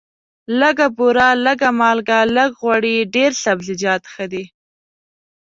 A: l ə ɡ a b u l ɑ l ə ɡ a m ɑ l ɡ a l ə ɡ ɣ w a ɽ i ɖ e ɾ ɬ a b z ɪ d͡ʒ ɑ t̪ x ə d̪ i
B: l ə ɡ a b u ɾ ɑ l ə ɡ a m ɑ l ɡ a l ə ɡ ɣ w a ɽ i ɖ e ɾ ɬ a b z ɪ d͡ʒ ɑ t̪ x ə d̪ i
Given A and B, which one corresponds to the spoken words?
B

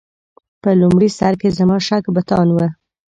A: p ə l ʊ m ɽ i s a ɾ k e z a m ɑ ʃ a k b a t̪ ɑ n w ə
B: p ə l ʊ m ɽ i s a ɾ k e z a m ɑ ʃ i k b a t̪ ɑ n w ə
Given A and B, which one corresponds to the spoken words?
A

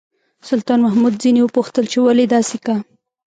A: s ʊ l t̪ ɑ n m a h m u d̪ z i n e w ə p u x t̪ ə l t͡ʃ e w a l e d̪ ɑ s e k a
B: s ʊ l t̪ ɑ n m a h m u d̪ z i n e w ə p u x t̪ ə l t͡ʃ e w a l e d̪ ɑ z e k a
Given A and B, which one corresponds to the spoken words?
A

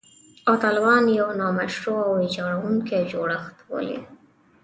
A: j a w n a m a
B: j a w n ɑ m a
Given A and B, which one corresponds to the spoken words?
B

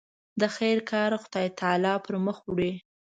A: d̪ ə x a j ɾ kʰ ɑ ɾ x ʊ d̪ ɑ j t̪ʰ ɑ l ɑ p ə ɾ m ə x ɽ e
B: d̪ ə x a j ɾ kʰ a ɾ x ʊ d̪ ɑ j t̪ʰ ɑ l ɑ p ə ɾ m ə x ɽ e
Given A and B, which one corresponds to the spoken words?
A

